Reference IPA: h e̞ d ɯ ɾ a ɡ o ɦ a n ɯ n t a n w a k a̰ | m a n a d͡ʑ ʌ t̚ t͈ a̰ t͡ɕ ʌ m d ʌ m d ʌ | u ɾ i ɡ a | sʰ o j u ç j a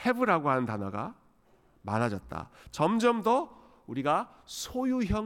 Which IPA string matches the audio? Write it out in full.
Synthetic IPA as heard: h e̞ b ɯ ɾ a ɡ o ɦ a n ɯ n t a n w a ɡ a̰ | m a n a d͡ʑ ʌ t̚ t͈ a̰ t͡ɕ ʌ m d͡ʑ ʌ m d ʌ | u ɾ i ɡ a | sʰ o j u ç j ʌ